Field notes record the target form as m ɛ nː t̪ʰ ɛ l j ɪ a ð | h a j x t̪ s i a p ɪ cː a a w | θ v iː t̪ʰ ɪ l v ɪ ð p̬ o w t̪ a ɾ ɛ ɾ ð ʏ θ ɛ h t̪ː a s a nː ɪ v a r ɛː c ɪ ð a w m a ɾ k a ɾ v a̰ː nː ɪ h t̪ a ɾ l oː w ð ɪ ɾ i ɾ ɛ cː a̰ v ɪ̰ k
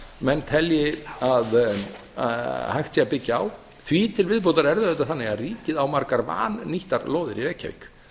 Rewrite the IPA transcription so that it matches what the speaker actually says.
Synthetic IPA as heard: m ɛ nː t̪ʰ ɛ l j ɪ a ð | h a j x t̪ s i a p ɪ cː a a w | θ v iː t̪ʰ ɪ l v ɪ ð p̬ o w t̪ a ɾ ɛ ɾ ð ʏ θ ɛ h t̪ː a θ a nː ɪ ɣ a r iː c ɪ ð a w m a ɾ k a ɾ v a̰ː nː i h t̪ a ɾ l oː w ð ɪ ɾ i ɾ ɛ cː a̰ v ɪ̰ k